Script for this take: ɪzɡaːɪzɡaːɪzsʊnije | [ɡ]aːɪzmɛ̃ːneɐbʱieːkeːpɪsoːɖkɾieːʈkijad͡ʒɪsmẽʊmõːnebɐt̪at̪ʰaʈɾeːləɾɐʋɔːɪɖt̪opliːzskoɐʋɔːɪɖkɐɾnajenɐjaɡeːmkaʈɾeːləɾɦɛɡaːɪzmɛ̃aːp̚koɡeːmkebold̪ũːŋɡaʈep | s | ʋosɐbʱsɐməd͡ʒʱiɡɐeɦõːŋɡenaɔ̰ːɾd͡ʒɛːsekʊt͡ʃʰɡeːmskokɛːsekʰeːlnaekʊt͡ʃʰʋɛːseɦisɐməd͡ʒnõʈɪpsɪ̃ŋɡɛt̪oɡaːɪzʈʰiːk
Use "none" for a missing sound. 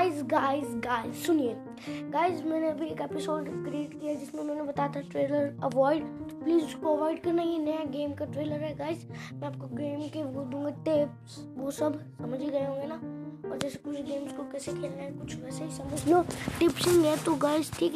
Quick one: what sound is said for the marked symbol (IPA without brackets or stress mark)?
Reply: ɡ